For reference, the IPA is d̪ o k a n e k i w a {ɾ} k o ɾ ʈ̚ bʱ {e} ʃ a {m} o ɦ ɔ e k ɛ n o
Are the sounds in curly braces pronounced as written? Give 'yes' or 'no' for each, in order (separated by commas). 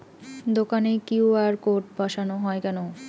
yes, no, no